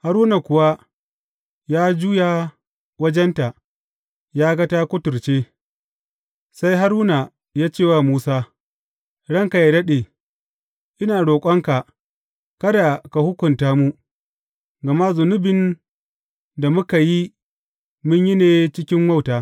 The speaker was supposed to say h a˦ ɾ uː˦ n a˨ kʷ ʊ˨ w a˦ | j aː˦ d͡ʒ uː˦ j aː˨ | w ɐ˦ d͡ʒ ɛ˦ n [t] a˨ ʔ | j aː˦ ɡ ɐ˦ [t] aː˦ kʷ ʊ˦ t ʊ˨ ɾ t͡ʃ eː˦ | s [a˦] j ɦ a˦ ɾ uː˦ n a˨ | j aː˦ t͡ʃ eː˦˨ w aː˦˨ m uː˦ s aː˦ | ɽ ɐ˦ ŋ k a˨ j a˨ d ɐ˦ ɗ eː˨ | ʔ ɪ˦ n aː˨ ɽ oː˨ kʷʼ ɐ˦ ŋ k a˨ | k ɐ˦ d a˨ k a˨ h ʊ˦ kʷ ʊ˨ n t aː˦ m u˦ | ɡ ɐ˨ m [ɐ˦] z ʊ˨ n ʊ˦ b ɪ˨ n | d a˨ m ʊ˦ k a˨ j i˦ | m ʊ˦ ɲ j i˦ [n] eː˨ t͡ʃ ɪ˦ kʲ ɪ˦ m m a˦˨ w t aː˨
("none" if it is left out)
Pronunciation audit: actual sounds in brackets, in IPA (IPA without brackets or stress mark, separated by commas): t, t, a˦, a˦, n